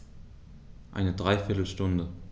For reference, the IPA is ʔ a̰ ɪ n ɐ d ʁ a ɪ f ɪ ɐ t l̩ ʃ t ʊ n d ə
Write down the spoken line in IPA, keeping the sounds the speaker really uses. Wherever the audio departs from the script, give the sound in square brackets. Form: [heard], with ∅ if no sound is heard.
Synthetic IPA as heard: ʔ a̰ ɪ n [ə] d ʁ a ɪ f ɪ ɐ t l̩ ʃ t ʊ n d ə